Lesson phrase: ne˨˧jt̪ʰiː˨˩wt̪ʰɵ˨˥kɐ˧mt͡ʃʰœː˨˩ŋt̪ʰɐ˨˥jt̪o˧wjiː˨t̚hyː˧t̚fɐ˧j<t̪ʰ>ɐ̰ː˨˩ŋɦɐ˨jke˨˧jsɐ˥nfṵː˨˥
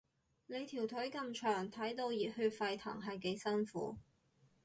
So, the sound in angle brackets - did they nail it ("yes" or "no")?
yes